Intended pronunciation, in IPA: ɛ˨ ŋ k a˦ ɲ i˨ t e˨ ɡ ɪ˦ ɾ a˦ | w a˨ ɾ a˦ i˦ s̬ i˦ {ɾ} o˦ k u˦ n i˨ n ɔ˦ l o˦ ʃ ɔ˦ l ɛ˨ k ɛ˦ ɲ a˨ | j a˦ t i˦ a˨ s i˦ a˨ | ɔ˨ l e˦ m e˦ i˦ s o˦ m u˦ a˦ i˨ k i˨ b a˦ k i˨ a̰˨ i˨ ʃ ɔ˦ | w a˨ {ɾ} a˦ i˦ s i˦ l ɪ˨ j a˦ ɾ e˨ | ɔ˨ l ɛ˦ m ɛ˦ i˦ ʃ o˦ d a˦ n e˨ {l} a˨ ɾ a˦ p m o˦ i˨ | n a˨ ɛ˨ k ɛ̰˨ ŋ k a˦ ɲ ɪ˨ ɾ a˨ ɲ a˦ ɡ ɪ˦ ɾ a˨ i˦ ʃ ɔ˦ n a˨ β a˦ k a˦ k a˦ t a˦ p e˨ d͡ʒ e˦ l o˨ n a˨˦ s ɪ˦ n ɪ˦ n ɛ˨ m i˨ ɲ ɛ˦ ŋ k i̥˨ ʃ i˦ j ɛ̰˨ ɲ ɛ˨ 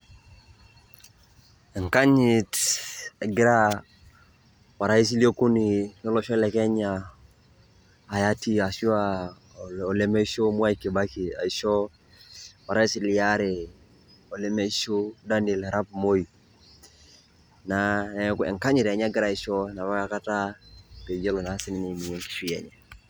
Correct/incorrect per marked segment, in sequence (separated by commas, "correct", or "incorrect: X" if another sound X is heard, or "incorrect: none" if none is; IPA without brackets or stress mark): incorrect: l, correct, correct